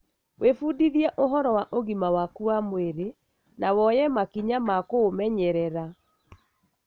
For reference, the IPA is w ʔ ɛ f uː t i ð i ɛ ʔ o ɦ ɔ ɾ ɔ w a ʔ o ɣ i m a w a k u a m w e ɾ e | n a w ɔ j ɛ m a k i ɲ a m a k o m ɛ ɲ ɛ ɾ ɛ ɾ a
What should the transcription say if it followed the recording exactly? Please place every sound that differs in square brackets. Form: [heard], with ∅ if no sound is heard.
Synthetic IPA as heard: w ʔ [e] f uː [d] i ð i ɛ ʔ o ɦ ɔ ɾ ɔ w a ʔ o ɣ i m a w a k u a m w e ɾ e | n a w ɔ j ɛ m a k i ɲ a m a k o m ɛ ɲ ɛ ɾ ɛ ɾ a